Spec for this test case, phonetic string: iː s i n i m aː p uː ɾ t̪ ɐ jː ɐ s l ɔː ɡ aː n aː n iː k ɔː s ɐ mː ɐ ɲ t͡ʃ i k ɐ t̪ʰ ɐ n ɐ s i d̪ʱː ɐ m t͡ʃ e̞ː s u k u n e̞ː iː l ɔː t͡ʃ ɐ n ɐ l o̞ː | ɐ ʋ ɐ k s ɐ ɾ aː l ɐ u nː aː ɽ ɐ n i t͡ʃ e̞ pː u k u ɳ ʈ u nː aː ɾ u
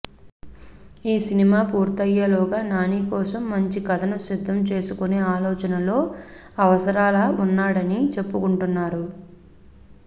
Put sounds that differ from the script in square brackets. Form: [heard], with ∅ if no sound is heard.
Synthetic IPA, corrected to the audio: iː s i n i m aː p uː ɾ t̪ ɐ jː ɐ [∅] l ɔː ɡ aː n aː n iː k ɔː s ɐ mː ɐ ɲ t͡ʃ i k ɐ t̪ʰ ɐ n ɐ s i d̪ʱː ɐ m t͡ʃ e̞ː s u k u n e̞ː [aː] l ɔː t͡ʃ ɐ n ɐ l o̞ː | ɐ ʋ ɐ [∅] s ɐ ɾ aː l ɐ u nː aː ɽ ɐ n i t͡ʃ e̞ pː u k u ɳ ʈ u nː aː ɾ u